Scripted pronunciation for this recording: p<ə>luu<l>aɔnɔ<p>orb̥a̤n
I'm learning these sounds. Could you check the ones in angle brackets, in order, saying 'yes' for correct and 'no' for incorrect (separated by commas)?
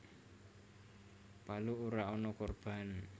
no, no, no